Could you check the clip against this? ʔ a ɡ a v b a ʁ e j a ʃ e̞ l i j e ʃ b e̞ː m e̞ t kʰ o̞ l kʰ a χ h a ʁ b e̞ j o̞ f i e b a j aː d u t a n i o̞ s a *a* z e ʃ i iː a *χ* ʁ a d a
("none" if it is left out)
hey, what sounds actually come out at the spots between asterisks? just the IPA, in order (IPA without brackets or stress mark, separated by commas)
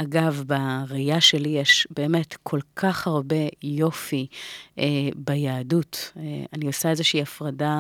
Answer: e, f